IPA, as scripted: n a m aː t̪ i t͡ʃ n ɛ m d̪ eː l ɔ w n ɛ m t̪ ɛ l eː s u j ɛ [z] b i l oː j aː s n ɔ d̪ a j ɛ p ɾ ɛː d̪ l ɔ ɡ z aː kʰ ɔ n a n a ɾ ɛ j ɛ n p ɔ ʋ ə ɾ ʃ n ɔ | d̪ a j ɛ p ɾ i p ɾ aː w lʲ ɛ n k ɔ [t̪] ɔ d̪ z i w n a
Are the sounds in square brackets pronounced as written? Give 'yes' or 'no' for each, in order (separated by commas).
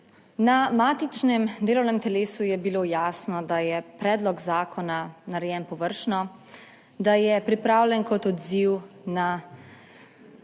no, yes